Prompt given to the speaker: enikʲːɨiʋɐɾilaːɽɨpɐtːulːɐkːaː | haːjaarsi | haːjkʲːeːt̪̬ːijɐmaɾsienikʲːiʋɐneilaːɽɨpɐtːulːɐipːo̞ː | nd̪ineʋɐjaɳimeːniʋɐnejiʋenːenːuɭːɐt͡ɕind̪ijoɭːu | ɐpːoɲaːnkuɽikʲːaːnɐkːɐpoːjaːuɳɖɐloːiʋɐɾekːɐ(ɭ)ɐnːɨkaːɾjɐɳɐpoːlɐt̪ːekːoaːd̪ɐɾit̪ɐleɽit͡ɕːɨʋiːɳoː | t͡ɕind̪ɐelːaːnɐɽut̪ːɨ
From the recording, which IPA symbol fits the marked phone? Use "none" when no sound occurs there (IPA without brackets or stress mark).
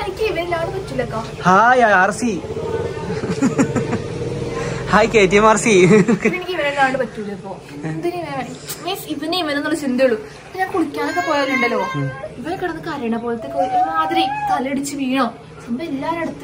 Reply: ɽ